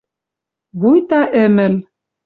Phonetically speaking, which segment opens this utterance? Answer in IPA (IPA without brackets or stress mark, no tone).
β